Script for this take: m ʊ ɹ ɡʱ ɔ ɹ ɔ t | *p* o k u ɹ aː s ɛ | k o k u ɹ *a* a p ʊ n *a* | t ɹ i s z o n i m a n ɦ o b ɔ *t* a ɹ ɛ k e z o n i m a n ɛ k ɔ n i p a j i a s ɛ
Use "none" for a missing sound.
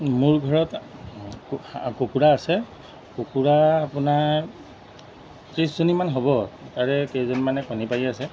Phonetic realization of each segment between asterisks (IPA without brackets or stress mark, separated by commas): k, a, a, t